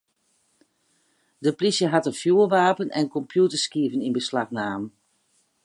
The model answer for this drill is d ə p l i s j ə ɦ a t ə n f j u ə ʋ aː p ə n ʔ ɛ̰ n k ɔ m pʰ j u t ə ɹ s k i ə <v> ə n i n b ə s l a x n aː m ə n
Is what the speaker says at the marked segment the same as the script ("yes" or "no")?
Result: yes